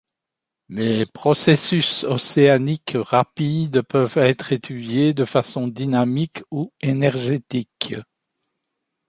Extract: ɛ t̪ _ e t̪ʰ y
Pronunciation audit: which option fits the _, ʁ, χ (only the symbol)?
χ